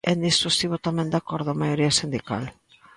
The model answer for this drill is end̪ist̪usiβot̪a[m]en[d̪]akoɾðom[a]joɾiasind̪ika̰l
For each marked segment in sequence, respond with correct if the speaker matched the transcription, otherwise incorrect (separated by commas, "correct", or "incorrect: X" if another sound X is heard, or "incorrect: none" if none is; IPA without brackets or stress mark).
correct, correct, correct